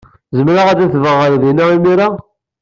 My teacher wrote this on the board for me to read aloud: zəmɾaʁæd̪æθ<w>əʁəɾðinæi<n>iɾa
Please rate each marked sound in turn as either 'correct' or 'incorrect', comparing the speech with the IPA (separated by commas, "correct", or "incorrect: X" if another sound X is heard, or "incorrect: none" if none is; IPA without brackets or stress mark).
incorrect: v, incorrect: m